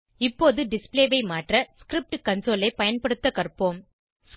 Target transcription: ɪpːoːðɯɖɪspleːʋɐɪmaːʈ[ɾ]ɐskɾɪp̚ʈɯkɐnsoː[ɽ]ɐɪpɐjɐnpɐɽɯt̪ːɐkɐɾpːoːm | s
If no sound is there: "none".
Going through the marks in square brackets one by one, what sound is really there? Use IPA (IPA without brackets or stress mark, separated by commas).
r, l